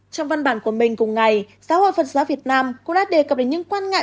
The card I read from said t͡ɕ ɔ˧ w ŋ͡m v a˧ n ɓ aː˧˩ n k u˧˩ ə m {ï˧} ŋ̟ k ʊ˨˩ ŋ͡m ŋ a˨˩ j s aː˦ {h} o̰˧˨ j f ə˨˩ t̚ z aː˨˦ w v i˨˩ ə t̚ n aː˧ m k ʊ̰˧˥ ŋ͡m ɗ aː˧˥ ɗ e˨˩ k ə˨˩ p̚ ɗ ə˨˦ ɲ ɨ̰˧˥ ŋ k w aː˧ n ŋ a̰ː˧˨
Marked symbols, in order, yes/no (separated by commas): no, yes